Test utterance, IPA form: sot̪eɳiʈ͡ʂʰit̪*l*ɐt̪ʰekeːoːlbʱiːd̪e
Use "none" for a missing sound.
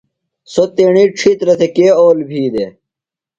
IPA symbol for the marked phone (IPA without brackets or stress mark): ɾ